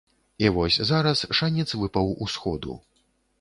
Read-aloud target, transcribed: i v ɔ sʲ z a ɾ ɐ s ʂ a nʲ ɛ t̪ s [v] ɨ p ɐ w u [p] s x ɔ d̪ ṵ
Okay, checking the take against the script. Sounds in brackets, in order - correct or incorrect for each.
correct, incorrect: none

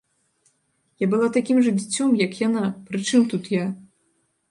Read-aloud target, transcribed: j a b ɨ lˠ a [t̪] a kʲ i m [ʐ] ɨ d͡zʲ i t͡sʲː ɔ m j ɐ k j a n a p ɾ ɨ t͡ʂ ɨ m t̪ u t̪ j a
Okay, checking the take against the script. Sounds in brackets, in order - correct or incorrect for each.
correct, correct

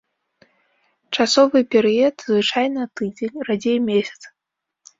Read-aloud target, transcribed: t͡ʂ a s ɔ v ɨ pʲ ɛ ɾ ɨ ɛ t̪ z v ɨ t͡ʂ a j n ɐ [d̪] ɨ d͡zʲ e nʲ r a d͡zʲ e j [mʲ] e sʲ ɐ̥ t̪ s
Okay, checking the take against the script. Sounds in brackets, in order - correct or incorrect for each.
incorrect: t̪, correct

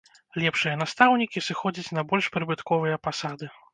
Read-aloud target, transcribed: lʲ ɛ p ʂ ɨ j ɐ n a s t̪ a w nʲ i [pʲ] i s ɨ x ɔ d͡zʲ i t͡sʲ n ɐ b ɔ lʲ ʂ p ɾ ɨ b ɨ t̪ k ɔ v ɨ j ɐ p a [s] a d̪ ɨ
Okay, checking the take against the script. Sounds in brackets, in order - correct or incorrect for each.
incorrect: kʲ, correct

